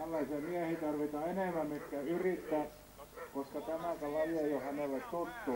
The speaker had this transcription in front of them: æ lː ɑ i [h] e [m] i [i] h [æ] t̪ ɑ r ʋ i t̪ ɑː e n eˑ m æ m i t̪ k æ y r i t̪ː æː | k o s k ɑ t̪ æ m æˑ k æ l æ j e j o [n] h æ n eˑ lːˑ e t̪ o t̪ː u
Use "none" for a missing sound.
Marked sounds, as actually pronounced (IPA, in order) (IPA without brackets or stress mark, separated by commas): s, m, æ, i, none